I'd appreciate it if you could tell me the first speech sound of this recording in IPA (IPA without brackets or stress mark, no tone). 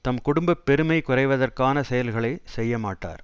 t̪